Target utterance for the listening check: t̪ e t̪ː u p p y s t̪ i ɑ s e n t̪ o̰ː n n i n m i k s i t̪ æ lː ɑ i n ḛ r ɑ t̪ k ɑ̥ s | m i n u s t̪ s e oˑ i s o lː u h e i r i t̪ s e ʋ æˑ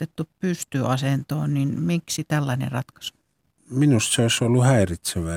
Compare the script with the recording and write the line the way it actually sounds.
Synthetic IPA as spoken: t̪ e t̪ː u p p y s t̪ y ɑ s e n t̪ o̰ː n n i n m i k s i t̪ æ lː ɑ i n ḛ r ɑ t̪ k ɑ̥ s | m i n u s t̪ s e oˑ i s o lː u h æ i r i t̪ s e ʋ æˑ